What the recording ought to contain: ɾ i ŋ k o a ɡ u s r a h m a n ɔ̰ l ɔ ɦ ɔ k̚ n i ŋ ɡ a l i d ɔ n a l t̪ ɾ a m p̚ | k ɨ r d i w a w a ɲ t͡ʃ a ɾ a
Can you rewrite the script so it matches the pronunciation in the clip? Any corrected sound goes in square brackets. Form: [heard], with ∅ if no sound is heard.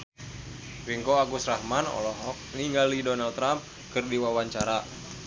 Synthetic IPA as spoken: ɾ i ŋ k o a ɡ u s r a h m a n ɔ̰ l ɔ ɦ ɔ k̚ n i ŋ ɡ a l i d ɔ n a l t̪ ɾ a m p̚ | k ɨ r d i w a w a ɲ t͡ʃ a ɾ a